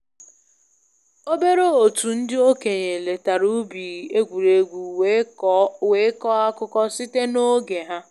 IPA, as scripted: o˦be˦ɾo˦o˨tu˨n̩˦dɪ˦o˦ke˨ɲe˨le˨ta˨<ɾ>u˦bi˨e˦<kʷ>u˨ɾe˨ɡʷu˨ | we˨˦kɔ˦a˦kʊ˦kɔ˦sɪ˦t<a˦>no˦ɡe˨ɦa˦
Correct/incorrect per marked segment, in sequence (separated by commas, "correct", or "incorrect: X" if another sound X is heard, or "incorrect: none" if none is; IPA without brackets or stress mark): correct, incorrect: ɡʷ, incorrect: e˦